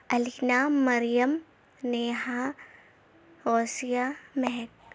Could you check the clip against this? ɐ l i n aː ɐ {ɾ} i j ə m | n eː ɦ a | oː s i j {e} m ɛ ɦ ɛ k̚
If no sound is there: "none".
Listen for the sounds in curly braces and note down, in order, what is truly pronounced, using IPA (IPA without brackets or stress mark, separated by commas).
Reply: ɾ, a